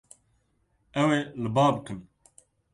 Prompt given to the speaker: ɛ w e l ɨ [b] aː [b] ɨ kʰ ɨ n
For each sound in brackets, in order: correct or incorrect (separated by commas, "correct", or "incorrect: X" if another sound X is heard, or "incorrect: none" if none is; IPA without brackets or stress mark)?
correct, correct